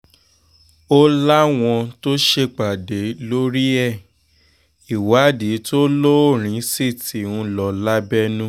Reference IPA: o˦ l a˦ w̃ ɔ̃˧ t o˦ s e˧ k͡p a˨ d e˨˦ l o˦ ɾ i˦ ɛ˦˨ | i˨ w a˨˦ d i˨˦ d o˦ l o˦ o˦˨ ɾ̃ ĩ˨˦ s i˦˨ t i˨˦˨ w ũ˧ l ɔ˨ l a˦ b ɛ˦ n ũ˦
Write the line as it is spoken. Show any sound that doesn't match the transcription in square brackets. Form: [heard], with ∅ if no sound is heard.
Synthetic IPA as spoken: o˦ l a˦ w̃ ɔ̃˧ t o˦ [ʃ] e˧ k͡p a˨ d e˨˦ l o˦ ɾ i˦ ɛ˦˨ | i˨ w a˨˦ d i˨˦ [t] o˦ l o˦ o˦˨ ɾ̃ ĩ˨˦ s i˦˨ t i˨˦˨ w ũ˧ l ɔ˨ l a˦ b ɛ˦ n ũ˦